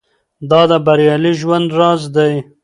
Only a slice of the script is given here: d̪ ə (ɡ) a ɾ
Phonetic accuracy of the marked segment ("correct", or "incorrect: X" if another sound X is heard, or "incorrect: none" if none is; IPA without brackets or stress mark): incorrect: b